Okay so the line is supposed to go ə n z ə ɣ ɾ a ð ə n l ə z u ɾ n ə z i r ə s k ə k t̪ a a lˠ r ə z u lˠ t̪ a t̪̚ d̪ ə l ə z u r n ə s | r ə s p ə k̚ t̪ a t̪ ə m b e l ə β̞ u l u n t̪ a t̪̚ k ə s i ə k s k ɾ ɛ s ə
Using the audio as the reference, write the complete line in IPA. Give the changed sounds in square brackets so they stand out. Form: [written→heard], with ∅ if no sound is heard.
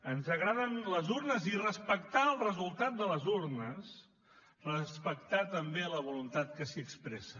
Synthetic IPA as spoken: ə n z ə ɣ ɾ a ð ə n l ə z u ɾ n ə z i r ə s [k→p] ə k t̪ a [a→ə] lˠ r ə z u lˠ t̪ a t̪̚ d̪ ə l ə z u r n ə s | r ə s p ə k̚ t̪ a t̪ ə m b e l ə β̞ u l u n t̪ a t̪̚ k ə s i ə k s [k→p] ɾ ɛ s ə